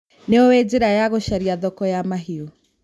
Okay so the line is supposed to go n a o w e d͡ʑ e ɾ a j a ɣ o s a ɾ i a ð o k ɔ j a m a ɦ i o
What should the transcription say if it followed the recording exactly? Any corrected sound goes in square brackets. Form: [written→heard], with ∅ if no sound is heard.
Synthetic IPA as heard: n [a→e] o w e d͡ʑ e ɾ a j a ɣ o [s→ʃ] a ɾ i a ð [o→ɔ] k ɔ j a m a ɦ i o